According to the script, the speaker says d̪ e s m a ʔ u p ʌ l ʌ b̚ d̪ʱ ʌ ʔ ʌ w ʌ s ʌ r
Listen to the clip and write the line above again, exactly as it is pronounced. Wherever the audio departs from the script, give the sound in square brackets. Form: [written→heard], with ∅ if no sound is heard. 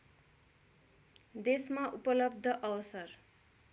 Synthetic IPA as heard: d̪ e s m a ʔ u p ʌ l ʌ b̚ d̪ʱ ʌ ʔ ʌ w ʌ s ʌ r